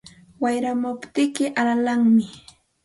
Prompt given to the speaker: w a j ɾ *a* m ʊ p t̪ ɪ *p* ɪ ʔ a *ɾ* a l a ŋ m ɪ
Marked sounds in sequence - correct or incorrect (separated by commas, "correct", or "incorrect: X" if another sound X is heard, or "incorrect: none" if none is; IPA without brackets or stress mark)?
correct, incorrect: k, incorrect: l